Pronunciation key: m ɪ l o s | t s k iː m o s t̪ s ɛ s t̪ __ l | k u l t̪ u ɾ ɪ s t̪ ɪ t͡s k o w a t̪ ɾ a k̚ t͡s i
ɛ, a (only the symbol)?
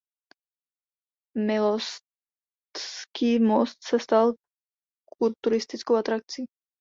a